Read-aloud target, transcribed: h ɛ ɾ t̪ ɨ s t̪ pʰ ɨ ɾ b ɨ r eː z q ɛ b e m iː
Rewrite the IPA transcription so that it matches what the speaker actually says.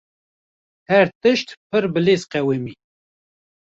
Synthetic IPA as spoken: h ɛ ɾ t̪ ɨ ʃ t̪ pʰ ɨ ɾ b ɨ l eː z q ɛ w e m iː